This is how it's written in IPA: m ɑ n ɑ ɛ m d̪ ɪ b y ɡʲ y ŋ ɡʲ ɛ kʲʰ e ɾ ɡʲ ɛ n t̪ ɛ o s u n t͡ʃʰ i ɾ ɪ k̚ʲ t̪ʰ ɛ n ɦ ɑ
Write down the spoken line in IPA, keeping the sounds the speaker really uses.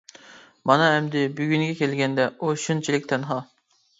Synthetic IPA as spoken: m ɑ n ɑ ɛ m d̪ ɪ b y ɡʲ y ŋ ɡʲ ɛ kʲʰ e l ɡʲ ɛ n d̪ ɛ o ʃ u n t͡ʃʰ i l ɪ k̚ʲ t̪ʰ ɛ n ɦ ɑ